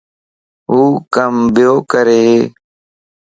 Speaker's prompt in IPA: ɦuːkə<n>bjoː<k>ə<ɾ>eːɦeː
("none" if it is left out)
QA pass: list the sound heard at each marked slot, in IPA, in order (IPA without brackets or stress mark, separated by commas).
m, k, ɾ